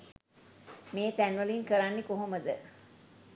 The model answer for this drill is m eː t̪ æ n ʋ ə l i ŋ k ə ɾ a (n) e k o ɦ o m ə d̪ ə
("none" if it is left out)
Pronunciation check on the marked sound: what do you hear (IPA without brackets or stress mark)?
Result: nː